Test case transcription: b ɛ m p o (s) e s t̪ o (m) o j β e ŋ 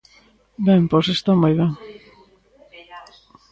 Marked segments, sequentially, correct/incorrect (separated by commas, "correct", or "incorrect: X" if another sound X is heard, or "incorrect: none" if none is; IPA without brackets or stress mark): correct, correct